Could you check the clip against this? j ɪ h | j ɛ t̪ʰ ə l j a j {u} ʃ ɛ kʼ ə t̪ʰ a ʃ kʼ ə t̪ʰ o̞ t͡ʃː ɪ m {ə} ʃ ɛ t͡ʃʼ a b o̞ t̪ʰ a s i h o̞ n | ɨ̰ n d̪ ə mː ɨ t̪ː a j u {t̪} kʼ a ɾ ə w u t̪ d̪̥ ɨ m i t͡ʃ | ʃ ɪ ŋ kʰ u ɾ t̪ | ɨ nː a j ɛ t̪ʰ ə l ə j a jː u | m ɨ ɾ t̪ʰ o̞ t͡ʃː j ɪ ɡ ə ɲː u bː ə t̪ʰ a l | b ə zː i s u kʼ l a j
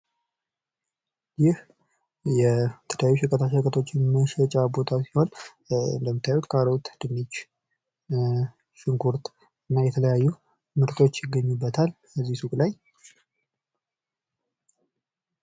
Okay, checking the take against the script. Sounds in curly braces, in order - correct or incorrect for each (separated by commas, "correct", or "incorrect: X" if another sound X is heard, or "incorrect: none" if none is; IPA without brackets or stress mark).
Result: correct, correct, correct